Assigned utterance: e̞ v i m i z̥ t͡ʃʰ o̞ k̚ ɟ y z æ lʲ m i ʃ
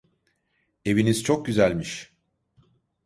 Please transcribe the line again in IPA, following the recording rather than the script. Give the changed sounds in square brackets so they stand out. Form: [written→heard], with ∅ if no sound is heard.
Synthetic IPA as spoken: e̞ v i [m→n] i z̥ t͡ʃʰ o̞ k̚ ɟ y z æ lʲ m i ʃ